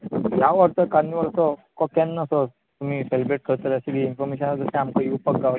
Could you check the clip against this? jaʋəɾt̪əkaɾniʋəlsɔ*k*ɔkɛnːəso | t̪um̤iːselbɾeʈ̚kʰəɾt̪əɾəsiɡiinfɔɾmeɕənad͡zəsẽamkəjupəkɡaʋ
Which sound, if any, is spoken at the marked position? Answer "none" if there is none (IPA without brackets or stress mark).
k